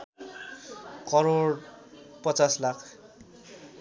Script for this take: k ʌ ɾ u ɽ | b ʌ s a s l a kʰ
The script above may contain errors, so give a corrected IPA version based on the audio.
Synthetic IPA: k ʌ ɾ o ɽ | p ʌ t͡s a s l a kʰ